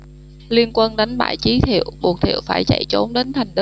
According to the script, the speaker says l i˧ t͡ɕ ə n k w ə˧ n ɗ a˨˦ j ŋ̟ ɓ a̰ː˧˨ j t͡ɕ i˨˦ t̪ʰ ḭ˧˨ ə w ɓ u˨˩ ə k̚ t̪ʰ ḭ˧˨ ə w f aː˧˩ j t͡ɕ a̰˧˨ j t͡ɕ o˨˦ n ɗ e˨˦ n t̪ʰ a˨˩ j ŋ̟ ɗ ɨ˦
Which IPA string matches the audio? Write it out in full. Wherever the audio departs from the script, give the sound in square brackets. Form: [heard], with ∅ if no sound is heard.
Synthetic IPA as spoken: l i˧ [∅] ə n k w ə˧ n ɗ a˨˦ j ŋ̟ ɓ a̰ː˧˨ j t͡ɕ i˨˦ t̪ʰ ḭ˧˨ ə w ɓ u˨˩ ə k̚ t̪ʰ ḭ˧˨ ə w f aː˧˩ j t͡ɕ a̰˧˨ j t͡ɕ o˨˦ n ɗ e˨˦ n t̪ʰ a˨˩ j ŋ̟ ɗ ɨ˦